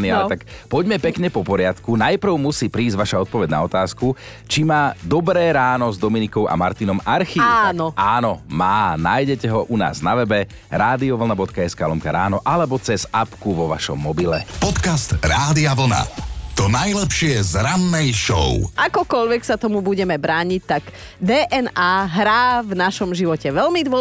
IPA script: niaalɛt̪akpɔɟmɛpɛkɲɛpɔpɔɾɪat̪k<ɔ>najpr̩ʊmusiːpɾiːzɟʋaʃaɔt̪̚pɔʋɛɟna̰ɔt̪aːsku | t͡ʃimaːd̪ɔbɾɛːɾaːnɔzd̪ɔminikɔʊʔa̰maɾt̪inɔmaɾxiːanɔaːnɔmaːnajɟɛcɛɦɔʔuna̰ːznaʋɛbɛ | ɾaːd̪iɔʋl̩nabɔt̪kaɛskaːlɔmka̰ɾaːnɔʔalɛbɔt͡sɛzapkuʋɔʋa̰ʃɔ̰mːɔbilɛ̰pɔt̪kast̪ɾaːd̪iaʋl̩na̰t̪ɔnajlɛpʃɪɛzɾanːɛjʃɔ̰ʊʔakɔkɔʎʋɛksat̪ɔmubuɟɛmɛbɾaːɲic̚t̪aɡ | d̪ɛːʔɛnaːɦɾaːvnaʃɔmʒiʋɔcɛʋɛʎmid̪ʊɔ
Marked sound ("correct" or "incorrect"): incorrect